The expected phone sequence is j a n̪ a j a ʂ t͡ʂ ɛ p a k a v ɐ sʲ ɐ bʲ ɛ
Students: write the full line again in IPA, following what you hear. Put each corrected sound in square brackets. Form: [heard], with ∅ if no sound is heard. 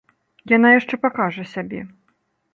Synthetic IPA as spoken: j a n̪ a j a ʂ t͡ʂ ɛ p a k a [ʐ] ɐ sʲ [a] bʲ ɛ